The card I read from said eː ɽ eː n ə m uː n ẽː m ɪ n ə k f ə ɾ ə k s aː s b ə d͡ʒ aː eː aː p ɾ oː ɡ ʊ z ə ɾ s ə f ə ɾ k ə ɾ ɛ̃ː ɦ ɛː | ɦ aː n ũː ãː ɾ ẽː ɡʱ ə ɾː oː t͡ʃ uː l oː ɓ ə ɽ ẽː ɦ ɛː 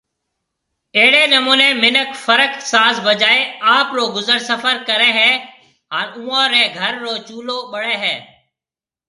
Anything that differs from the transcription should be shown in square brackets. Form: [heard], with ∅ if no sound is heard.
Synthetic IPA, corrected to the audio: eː ɽ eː n ə m uː n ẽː m ɪ n ə k f ə ɾ ə k s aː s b ə d͡ʒ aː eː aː p ɾ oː ɡ ʊ z ə ɾ s ə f ə ɾ k ə ɾ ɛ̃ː ɦ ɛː | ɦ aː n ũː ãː ɾ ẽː ɡʱ ə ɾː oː t͡ʃ uː l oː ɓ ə ɽ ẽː ɦ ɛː